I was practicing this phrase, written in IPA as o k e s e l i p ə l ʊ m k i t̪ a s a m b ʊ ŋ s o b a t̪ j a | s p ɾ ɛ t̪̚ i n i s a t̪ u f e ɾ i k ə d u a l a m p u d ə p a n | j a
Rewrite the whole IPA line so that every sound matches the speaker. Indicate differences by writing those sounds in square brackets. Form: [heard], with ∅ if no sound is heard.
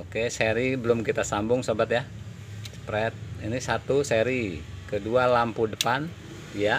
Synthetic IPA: o k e s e [ɾ] i [b] ə l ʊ m k i t̪ a s a m b ʊ ŋ s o b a t̪ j a | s p ɾ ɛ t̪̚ i n i s a t̪ u [s] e ɾ i k ə d u a l a m p u d ə p a n | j a